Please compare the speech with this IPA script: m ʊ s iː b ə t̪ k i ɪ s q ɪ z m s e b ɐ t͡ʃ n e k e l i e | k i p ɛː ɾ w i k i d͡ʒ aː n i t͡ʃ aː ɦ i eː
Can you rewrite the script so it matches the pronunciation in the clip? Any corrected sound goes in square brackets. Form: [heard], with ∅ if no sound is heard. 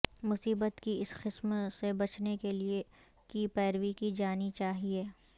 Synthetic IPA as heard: m ʊ s iː b ə t̪ k i ɪ s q ɪ [s] m s e b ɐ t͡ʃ n e k e l i e | k i p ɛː ɾ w i k i d͡ʒ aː n i t͡ʃ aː ɦ i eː